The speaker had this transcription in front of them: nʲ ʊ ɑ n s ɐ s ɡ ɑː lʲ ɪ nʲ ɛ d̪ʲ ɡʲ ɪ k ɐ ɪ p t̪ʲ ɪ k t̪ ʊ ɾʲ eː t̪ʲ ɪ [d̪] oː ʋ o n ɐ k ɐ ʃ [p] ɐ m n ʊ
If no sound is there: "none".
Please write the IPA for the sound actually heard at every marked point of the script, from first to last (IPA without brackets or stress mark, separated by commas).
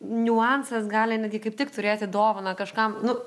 d̪, k